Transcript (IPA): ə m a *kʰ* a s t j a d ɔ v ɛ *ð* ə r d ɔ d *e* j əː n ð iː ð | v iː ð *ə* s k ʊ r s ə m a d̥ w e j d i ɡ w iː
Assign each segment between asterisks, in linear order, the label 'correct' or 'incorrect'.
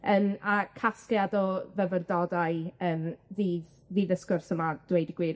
correct, incorrect, incorrect, correct

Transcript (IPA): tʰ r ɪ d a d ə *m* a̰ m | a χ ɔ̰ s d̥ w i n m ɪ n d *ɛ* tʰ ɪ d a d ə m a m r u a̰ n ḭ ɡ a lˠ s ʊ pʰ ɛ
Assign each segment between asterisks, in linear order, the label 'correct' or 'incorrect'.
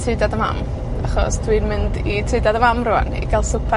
correct, incorrect

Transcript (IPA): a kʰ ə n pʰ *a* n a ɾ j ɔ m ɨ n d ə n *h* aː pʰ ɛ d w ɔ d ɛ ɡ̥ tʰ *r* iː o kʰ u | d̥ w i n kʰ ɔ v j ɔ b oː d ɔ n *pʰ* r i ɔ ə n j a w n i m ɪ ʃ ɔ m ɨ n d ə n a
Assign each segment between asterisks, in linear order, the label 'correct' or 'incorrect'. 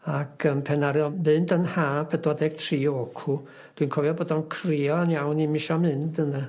incorrect, correct, correct, incorrect

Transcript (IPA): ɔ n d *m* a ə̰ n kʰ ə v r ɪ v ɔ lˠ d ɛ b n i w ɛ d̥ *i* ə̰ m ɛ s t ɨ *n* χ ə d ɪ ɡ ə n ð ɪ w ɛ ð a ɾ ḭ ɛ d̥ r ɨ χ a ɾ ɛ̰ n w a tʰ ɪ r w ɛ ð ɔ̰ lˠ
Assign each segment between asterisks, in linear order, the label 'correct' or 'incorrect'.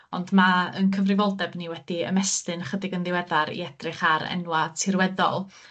correct, correct, correct

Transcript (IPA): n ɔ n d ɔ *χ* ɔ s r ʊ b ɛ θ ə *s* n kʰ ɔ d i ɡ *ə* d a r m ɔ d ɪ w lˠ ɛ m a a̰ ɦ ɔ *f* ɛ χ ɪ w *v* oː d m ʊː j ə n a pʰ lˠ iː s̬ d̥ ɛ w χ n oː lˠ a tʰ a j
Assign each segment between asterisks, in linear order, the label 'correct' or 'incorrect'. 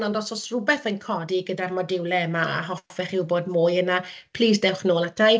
incorrect, incorrect, correct, correct, incorrect

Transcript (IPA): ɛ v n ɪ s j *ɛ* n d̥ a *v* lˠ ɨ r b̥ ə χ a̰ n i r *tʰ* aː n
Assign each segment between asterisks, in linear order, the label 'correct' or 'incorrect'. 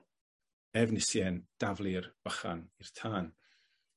correct, correct, correct

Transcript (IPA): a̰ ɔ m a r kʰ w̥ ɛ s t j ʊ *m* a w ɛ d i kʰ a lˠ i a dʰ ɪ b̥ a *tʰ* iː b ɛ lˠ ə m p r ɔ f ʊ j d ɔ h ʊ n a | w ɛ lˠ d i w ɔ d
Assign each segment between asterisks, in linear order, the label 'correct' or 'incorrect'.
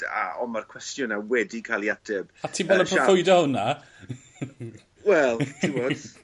incorrect, correct

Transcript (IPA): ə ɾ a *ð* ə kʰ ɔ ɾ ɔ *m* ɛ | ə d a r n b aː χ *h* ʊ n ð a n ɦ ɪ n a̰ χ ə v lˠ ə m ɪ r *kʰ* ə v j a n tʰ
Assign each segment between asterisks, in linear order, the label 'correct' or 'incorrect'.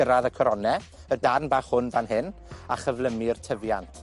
correct, incorrect, correct, incorrect

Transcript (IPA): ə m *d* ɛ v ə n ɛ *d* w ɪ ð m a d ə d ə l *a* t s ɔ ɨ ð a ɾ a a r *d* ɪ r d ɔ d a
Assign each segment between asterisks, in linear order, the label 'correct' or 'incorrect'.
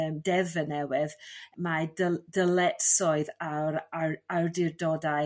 correct, incorrect, incorrect, correct

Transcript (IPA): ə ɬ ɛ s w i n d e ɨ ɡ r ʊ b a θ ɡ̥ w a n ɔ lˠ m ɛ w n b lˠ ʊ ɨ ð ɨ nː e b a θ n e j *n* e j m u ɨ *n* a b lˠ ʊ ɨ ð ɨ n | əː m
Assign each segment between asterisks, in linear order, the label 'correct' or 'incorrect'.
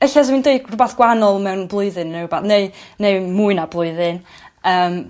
correct, correct

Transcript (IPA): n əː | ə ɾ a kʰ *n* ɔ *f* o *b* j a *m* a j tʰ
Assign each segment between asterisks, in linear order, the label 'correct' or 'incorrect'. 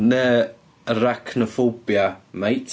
correct, correct, correct, correct

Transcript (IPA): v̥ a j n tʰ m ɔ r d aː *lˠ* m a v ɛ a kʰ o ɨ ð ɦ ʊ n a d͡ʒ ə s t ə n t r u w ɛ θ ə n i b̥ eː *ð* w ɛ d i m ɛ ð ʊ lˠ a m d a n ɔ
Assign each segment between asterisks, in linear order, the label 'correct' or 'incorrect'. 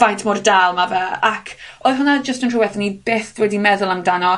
correct, incorrect

